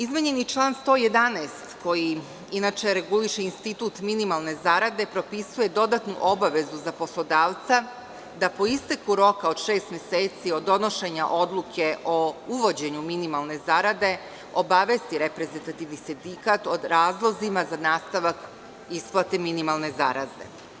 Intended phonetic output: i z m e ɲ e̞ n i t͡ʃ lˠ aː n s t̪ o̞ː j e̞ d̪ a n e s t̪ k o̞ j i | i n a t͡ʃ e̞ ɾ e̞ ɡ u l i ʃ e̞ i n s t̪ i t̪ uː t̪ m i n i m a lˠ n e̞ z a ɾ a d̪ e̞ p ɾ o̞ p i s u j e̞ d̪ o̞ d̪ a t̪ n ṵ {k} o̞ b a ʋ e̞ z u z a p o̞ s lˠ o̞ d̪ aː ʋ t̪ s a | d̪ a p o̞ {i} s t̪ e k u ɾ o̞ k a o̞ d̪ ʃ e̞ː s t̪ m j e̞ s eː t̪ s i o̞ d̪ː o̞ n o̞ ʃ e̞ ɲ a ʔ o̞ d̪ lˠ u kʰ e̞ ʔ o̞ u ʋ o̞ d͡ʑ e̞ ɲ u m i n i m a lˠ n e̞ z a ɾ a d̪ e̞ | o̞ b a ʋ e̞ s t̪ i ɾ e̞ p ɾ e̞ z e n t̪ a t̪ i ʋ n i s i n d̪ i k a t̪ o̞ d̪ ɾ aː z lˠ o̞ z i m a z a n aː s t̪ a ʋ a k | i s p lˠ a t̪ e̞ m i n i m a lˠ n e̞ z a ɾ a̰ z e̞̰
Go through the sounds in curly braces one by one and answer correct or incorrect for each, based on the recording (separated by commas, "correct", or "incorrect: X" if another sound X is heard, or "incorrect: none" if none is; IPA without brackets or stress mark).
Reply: incorrect: ʔ, correct